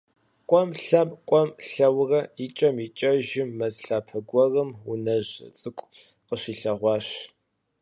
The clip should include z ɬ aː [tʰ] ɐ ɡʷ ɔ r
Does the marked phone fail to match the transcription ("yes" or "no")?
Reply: yes